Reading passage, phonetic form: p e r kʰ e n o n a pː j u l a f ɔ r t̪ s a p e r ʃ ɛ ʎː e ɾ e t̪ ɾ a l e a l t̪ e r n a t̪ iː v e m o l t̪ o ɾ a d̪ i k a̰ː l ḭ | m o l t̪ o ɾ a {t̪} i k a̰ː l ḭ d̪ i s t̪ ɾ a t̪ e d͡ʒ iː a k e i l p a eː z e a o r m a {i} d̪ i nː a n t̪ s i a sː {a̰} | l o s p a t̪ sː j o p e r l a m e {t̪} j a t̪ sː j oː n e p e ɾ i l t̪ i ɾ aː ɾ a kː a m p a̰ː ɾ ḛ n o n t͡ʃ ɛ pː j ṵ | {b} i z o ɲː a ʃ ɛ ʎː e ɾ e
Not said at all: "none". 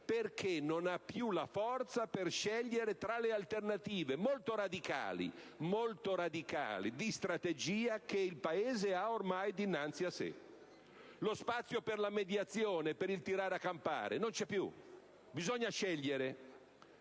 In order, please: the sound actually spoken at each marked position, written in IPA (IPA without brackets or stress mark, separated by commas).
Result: d̪, j, ḛ, d̪, b